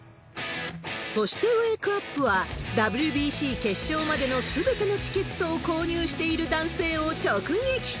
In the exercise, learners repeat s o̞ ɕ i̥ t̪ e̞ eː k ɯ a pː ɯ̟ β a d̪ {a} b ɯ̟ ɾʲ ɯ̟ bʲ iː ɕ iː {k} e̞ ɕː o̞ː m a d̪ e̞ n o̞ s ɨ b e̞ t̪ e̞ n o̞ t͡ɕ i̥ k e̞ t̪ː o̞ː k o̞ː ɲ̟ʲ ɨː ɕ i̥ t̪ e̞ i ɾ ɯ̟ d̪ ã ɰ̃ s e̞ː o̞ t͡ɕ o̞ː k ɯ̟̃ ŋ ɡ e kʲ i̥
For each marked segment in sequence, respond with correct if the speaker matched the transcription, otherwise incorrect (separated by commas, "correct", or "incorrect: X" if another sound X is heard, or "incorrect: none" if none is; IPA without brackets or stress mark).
correct, correct